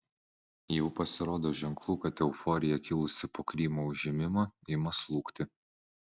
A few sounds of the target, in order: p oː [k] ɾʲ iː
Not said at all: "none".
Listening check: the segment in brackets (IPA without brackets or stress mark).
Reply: k